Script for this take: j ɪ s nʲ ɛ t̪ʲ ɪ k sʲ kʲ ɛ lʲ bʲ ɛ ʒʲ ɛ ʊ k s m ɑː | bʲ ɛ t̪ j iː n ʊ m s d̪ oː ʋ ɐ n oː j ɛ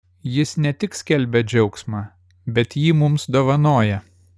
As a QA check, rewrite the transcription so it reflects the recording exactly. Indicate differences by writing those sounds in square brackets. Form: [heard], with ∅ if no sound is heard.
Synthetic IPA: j ɪ s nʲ ɛ t̪ʲ ɪ k sʲ kʲ ɛ lʲ bʲ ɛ [d͡ʒʲ] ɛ ʊ k s m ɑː | bʲ ɛ t̪ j iː [m] ʊ m s d̪ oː ʋ ɐ n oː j ɛ